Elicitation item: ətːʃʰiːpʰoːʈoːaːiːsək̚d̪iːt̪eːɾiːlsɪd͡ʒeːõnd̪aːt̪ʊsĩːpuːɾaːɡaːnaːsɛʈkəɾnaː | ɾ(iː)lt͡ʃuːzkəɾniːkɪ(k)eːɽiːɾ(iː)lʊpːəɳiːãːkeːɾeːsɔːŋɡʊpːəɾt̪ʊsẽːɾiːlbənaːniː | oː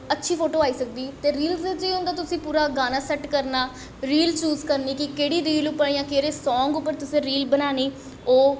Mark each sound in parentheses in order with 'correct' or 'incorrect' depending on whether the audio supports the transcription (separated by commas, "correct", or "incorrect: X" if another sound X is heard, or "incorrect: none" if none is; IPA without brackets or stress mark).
correct, correct, correct